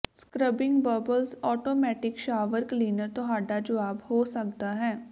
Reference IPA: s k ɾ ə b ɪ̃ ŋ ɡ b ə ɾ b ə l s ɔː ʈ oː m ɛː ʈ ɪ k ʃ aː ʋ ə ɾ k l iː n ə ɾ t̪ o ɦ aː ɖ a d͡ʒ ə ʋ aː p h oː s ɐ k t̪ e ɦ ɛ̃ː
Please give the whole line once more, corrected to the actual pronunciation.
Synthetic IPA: s k ɾ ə b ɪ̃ ŋ ɡ b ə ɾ b ə l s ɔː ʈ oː m ɛː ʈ ɪ k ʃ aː ʋ ə ɾ k l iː n ə ɾ t̪ o ɦ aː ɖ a d͡ʒ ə ʋ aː b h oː s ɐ k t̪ a ɦ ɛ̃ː